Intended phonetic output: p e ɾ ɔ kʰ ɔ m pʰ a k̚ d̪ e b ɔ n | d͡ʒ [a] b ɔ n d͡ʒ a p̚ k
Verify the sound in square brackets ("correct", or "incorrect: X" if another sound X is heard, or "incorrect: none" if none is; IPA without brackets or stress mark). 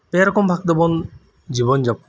incorrect: i